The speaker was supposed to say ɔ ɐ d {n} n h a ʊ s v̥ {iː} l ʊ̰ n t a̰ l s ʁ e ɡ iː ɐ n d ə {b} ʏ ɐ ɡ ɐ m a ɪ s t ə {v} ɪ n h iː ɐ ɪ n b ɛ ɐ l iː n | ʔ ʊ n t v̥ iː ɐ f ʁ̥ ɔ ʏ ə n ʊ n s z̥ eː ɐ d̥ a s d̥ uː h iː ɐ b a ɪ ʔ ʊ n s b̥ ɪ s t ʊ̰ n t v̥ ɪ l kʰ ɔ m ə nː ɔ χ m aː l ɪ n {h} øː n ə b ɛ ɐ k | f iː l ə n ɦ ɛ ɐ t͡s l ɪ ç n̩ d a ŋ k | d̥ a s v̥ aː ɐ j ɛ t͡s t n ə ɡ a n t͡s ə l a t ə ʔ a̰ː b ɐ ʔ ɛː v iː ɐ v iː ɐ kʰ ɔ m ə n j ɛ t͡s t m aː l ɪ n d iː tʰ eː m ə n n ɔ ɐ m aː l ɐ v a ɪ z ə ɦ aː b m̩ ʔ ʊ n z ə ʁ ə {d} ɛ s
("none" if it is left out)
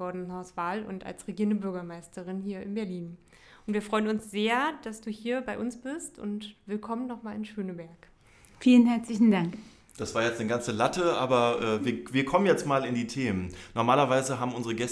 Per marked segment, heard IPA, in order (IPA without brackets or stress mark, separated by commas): n, aː, b, ʁ, ʃ, ɡ